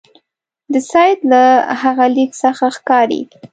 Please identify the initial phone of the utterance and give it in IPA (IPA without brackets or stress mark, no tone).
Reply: d̪